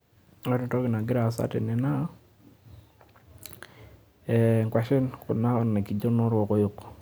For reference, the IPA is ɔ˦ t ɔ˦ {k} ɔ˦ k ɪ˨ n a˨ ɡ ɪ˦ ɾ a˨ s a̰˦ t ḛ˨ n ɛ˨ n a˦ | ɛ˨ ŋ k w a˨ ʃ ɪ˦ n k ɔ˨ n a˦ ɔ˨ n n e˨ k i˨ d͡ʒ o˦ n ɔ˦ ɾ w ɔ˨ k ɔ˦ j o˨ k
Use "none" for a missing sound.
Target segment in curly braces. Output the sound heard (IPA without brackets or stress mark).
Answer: t